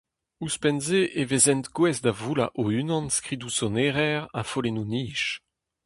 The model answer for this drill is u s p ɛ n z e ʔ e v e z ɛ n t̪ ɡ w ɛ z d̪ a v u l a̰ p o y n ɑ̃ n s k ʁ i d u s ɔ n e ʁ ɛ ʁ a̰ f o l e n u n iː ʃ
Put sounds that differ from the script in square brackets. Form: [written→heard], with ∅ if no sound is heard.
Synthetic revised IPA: u s p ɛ n z e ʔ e v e z ɛ n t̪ ɡ w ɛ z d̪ a v u l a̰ [p→ʔ] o y n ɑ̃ n s k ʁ i d u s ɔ n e ʁ ɛ ʁ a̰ f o l e n u n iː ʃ